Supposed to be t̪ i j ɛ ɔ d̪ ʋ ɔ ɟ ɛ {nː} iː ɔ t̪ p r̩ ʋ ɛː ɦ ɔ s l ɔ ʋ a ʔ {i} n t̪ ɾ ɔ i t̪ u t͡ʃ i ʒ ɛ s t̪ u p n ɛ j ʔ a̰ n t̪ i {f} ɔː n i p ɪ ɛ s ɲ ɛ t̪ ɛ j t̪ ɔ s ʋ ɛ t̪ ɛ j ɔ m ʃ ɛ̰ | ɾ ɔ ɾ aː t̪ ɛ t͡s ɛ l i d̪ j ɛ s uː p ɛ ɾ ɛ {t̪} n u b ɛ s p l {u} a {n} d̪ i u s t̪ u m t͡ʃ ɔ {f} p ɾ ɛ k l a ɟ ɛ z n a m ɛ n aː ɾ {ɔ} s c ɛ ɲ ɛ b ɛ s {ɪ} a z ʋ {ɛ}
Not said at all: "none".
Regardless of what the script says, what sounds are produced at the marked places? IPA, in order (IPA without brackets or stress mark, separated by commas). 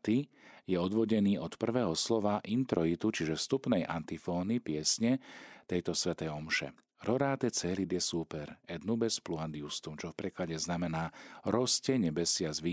n, i, f, d̪, u, n, f, ɔ, ɪ, i